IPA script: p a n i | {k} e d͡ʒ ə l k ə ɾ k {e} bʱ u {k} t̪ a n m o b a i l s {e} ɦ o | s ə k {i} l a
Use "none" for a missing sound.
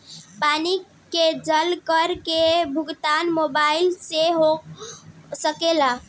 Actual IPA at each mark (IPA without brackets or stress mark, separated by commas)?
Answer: k, e, ɡ, e, e